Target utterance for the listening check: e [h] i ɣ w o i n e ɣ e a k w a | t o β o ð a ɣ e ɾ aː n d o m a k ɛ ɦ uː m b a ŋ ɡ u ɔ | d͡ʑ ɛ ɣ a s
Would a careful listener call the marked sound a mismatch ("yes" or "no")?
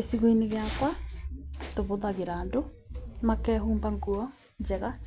yes